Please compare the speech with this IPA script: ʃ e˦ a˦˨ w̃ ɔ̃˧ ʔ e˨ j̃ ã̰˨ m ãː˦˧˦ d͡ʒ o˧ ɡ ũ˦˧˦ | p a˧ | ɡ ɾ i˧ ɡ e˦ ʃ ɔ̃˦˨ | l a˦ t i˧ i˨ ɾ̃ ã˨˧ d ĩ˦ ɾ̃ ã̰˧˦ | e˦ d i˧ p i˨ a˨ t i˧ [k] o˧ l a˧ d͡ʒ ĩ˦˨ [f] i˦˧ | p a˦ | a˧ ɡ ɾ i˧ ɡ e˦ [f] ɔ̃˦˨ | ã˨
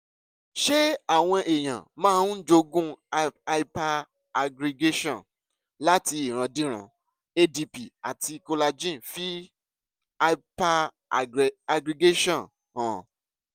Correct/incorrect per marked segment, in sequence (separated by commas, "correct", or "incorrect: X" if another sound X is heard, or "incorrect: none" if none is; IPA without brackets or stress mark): correct, correct, incorrect: ʃ